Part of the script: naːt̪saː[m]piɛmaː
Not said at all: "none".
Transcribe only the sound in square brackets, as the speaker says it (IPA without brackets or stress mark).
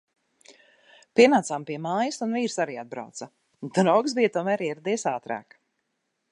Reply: m